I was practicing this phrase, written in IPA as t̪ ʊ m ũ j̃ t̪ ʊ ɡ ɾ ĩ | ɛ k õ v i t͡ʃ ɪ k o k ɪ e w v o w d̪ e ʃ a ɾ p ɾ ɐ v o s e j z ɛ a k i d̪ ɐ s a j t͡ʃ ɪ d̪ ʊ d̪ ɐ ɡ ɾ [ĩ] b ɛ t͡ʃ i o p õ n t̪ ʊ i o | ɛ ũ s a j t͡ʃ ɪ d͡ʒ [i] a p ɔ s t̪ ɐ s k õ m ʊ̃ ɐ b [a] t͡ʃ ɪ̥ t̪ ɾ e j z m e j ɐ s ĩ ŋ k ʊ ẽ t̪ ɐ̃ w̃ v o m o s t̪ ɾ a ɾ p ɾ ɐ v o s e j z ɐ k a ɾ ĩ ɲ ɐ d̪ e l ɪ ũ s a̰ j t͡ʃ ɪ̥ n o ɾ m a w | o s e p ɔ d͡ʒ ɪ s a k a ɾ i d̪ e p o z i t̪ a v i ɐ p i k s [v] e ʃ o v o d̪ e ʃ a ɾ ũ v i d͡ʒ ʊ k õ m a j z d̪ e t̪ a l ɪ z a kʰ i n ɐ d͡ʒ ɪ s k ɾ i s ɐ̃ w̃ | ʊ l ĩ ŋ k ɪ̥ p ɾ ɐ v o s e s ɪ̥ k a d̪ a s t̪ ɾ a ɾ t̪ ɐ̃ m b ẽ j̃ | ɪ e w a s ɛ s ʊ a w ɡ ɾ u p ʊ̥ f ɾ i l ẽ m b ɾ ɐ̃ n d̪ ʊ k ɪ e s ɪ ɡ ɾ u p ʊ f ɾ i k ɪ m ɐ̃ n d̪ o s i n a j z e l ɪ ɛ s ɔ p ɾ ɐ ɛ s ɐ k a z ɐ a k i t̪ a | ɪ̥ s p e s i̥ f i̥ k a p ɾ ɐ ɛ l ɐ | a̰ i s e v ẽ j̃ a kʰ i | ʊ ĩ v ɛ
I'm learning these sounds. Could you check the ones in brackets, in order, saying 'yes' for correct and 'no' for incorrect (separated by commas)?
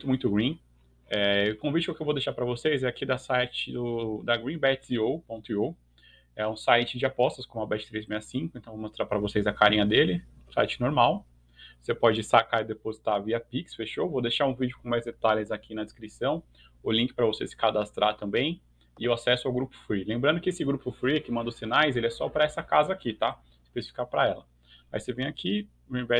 yes, no, no, no